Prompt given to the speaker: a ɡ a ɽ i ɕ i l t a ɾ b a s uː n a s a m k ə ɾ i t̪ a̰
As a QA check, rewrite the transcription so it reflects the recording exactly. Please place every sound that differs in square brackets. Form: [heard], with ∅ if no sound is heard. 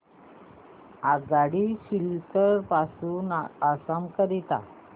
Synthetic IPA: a ɡ a ɽ i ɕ i l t [ə] ɾ [p] a s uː n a s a m k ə ɾ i t̪ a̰